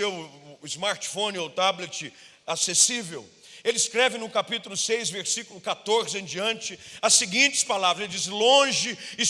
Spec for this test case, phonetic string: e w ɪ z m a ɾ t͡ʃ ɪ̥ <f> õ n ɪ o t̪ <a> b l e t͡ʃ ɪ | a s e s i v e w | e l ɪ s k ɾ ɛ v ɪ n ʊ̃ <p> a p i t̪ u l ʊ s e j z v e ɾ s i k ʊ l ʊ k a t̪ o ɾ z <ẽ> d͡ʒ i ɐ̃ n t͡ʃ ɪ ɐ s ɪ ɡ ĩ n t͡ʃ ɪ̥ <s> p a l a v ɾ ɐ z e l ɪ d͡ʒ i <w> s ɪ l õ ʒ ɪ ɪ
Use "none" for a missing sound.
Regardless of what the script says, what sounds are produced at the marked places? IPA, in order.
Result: f, a, k, ẽ, s, none

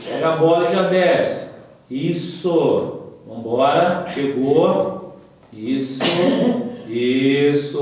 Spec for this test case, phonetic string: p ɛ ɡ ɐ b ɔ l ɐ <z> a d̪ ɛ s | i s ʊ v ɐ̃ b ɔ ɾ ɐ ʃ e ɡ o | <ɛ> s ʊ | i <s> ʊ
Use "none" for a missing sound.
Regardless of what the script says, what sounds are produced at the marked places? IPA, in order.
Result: ʒ, i, s

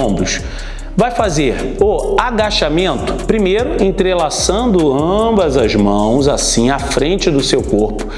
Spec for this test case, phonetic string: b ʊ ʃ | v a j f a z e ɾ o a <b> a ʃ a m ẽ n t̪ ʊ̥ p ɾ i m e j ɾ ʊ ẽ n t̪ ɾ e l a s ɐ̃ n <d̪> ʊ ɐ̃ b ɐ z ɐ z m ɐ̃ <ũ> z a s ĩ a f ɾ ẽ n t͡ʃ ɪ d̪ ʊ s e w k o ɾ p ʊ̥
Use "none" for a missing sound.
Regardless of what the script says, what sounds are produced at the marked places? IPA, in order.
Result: ɡ, d̪, w̃

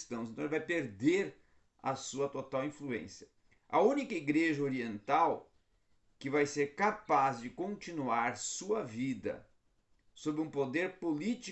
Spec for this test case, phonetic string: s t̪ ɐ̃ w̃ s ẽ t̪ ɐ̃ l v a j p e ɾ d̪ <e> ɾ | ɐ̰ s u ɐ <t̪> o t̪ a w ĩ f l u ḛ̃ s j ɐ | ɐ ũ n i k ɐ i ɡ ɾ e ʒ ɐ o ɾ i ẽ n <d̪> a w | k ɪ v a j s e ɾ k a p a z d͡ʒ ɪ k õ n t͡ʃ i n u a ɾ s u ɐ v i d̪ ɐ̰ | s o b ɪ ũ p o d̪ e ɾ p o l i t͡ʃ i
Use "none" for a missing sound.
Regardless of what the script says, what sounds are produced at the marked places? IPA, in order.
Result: e, t̪, t̪

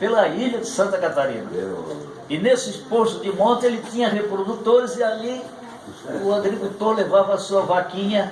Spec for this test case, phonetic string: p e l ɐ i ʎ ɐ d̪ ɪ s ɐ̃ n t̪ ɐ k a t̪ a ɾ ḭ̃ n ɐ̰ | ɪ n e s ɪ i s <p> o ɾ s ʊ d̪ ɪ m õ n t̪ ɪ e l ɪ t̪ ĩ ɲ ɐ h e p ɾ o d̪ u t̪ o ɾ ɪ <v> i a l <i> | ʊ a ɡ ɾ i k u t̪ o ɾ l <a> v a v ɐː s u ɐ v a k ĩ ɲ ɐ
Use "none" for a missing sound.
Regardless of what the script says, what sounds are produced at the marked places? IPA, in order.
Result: p, z, i, e

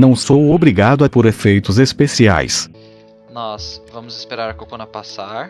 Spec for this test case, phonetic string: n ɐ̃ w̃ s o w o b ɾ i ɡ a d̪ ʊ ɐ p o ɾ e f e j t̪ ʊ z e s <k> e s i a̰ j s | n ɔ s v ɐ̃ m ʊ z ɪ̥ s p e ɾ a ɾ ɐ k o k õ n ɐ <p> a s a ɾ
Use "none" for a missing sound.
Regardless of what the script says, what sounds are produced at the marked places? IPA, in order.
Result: p, p

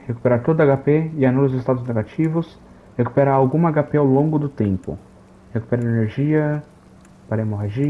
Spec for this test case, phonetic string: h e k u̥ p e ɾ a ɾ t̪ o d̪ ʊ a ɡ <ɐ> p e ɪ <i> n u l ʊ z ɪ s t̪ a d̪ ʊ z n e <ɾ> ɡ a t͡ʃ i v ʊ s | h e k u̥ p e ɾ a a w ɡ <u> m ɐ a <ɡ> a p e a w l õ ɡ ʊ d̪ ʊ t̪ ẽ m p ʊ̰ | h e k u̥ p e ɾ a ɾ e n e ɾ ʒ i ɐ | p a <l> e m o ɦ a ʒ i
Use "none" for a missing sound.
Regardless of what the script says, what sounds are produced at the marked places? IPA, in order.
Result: a, a, none, ũ, ɡ, ɾ

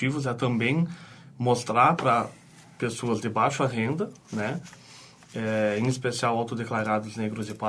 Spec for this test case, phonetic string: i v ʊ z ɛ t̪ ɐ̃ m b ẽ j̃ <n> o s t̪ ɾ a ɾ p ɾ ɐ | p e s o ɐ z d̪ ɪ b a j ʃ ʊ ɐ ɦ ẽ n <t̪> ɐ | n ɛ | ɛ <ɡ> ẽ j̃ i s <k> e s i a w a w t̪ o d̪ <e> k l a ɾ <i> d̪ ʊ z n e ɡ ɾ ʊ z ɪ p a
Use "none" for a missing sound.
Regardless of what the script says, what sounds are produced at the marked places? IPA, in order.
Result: m, d̪, none, p, e, a

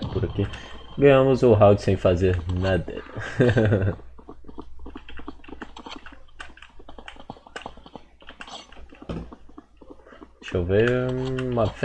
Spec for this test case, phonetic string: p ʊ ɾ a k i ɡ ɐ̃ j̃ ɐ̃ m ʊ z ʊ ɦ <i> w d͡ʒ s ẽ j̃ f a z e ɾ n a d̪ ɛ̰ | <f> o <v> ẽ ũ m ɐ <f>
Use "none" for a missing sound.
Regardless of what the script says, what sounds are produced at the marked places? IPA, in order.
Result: a, ʃ, v, f

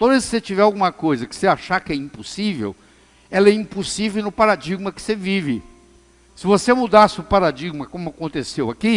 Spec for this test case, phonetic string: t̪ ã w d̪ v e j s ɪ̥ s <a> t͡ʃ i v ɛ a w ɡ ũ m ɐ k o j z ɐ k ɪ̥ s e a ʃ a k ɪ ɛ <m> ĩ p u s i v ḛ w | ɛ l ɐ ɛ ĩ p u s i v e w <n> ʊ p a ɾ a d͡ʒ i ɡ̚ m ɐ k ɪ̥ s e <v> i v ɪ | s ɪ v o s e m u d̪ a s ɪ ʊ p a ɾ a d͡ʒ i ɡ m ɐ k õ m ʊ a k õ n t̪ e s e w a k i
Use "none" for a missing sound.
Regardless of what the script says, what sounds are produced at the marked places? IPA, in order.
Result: e, none, n, v

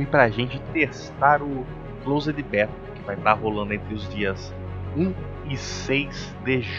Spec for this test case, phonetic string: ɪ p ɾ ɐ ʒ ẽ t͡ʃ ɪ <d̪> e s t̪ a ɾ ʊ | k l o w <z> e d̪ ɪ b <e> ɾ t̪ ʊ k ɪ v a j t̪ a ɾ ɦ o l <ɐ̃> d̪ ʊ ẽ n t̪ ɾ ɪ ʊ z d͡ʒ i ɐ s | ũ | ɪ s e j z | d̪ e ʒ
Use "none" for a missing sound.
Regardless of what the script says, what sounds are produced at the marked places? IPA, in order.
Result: t̪, z, ɛ, ɐ̃

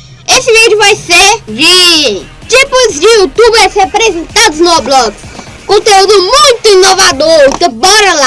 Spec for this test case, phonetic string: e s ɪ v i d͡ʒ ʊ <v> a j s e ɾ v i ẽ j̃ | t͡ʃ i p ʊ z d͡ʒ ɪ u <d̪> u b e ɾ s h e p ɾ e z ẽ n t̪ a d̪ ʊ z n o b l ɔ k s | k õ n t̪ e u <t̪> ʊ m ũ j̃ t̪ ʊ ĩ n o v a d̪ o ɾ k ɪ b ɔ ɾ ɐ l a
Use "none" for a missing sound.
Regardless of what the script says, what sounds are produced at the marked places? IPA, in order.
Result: v, t̪, d̪

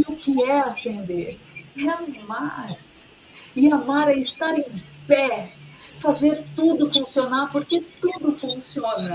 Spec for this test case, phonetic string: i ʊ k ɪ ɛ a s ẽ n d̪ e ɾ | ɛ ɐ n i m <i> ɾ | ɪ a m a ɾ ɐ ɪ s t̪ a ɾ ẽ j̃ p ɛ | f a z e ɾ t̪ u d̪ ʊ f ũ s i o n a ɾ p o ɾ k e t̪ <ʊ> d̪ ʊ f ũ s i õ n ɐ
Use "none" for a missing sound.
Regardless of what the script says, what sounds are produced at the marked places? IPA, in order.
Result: a, u

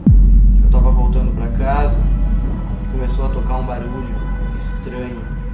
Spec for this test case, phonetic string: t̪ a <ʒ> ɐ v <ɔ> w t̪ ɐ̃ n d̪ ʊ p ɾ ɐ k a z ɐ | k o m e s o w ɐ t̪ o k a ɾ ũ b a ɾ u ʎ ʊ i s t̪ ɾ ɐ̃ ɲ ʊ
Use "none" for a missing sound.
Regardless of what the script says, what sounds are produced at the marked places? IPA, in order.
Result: v, o

